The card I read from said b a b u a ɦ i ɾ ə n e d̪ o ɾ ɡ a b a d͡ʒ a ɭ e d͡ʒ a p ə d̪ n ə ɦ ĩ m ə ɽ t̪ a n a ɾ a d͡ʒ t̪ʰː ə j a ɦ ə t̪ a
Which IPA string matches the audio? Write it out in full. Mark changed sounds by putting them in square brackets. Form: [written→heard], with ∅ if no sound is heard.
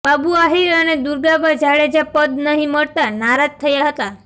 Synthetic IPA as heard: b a b u a ɦ i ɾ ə n e d̪ [o→u] ɾ ɡ a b a d͡ʒ a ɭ e d͡ʒ a p ə d̪ n ə ɦ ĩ m ə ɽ t̪ a n a ɾ a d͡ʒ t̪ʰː ə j a ɦ ə t̪ a